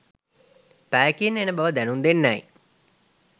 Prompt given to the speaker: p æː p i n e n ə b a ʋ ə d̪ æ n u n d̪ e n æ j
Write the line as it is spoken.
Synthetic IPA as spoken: p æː k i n e n ə b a ʋ ə d̪ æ n u n d̪ e nː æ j